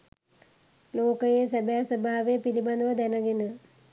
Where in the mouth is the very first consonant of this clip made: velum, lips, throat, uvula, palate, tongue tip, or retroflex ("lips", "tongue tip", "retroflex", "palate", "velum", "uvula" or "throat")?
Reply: tongue tip